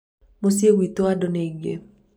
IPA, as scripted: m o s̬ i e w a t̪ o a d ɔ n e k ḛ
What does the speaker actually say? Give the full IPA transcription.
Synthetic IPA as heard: m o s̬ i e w i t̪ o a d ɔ n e ɡ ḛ